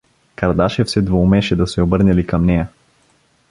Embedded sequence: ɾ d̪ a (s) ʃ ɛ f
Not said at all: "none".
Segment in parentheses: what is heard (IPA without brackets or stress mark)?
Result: none